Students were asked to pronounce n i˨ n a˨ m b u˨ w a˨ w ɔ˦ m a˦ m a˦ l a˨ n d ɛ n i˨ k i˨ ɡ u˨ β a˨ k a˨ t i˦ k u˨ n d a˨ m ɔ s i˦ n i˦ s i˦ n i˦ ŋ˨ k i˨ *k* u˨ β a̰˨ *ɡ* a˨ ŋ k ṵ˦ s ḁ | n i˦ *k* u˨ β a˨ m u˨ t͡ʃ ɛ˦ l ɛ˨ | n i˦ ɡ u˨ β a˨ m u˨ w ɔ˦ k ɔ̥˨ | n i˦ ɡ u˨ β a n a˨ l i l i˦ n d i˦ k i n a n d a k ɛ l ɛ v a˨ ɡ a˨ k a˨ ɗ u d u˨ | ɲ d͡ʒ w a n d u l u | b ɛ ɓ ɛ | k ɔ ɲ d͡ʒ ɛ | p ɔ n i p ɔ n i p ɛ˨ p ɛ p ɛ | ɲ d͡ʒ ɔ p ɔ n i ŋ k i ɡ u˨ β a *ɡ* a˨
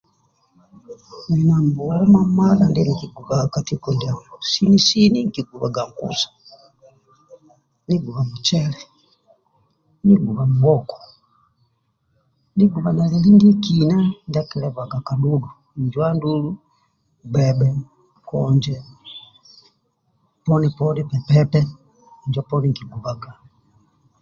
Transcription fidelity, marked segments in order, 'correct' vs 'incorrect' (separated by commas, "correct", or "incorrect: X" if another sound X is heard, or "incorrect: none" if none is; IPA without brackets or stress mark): incorrect: ɡ, correct, incorrect: ɡ, correct